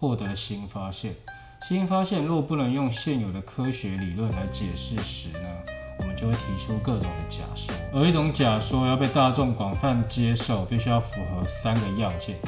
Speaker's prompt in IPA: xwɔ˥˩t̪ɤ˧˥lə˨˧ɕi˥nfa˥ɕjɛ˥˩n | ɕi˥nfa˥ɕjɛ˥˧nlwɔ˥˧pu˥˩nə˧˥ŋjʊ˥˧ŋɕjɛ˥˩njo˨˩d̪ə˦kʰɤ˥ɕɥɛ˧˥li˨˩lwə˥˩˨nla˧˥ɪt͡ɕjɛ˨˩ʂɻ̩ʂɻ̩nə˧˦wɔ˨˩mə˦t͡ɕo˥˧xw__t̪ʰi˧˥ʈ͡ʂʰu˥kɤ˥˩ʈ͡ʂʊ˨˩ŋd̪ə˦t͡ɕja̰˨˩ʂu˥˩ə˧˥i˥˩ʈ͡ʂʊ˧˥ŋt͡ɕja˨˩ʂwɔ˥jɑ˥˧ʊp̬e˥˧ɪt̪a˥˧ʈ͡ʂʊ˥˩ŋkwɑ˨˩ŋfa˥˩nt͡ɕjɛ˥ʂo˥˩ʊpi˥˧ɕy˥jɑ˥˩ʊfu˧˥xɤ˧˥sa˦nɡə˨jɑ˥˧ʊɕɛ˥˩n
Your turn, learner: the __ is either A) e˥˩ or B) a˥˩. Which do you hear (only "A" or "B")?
A